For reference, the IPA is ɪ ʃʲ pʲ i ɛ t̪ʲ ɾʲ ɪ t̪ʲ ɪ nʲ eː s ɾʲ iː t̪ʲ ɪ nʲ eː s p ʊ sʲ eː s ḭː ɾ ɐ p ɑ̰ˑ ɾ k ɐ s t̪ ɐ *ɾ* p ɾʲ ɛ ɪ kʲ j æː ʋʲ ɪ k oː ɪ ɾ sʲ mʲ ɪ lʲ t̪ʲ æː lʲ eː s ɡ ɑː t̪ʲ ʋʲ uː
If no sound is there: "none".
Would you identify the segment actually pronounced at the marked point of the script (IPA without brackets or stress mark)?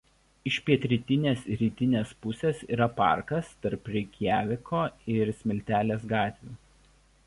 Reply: ɾ